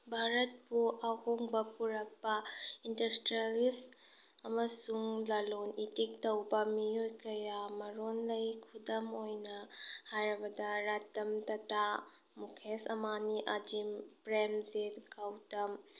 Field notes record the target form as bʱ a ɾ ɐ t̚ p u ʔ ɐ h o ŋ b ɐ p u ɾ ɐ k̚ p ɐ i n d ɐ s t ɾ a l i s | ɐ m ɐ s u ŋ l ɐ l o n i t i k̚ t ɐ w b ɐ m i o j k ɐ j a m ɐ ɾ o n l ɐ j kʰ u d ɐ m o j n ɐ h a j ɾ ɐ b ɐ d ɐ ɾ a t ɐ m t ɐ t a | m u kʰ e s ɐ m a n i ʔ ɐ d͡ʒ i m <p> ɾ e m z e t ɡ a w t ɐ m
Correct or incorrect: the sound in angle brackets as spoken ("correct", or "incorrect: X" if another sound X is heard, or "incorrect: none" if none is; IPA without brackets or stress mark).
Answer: correct